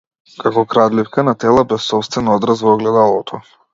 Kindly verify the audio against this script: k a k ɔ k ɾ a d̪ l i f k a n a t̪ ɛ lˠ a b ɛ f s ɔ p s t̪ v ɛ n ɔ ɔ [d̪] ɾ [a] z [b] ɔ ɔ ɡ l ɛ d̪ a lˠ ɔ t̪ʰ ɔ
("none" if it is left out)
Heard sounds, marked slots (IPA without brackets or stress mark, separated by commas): d̪, a, v